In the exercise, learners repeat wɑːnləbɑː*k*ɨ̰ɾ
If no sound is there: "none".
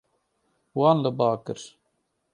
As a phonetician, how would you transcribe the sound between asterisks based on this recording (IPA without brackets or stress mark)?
k